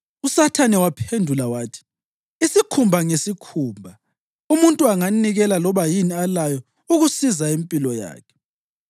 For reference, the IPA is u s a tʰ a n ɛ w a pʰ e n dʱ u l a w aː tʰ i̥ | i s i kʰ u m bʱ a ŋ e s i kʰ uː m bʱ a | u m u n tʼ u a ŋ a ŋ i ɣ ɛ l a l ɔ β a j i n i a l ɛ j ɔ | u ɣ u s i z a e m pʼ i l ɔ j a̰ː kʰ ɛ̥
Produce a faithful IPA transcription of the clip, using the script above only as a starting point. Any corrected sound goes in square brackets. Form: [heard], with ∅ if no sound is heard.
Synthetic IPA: u s a tʰ a n ɛ w a pʰ e n dʱ u l a w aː tʰ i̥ | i s i kʰ u m bʱ a ŋ e s i kʰ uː m bʱ a | u m u n tʼ u a ŋ a [n] i ɣ ɛ l a l ɔ β a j i n i a l [a] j ɔ | u ɣ u s i z a e m pʼ i l ɔ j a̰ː kʰ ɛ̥